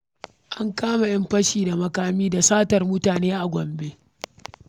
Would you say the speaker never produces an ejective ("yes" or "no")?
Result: yes